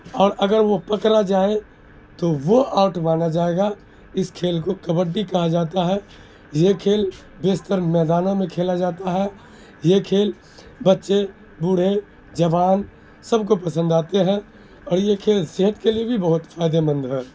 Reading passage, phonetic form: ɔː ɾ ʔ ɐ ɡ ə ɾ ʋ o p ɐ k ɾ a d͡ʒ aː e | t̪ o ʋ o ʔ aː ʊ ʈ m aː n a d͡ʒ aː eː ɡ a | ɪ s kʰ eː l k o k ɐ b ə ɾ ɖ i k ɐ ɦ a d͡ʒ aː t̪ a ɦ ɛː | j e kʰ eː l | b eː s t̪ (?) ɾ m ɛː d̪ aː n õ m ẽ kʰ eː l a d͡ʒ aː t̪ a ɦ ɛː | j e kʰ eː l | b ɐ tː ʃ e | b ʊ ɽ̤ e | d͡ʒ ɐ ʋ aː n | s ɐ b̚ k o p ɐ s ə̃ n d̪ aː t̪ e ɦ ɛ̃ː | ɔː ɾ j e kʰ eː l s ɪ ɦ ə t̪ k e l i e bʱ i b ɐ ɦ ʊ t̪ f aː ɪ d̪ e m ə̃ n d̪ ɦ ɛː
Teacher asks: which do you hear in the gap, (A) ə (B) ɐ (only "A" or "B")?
A